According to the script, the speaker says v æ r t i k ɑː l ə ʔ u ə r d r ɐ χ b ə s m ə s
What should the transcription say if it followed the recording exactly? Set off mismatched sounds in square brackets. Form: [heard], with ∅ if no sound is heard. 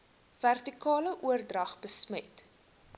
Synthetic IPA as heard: v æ r t i k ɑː l ə ʔ u ə r d r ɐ χ b ə s m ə [t]